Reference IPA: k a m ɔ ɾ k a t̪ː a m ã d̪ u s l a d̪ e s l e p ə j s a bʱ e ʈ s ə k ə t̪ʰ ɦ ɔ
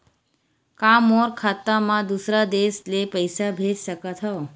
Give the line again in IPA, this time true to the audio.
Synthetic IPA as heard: k a m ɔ ɾ kʰ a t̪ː a m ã d̪ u s ɾ a d̪ e s l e p ə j s a bʱ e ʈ s ə k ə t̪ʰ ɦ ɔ